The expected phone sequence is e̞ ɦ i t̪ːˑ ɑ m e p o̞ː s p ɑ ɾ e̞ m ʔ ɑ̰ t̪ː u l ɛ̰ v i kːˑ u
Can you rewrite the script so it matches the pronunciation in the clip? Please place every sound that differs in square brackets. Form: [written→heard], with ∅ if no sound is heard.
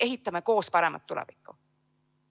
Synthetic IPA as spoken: e̞ ɦ i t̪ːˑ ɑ m e [p→k] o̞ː s p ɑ ɾ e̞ m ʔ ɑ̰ t̪ː u l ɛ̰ v i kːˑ u